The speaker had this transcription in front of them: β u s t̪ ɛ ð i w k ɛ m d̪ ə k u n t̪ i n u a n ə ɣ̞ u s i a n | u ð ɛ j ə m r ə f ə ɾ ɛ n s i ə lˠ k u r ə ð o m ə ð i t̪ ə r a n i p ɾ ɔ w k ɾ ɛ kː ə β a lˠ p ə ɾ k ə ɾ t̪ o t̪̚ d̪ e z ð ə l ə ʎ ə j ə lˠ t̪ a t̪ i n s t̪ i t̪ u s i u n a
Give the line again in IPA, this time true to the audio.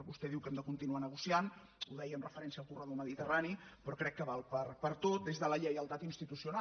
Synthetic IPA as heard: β u s t̪ ɛ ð i w k ɛ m d̪ ə k u n t̪ i n u a n ə ɣ̞ u s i a n | u ð ɛ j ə m r ə f ə ɾ ɛ n s i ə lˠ k u r ə ð o m ə ð i t̪ ə r a n i p ɾ ɔ k ɾ ɛ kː ə β a lˠ p ə ɾ p ə ɾ t̪ o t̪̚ d̪ e z ð ə l ə ʎ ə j ə lˠ t̪ a t̪ i n s t̪ i t̪ u s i u n a